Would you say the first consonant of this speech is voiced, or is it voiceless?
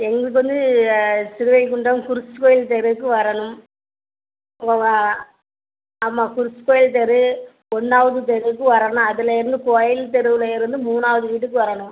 voiced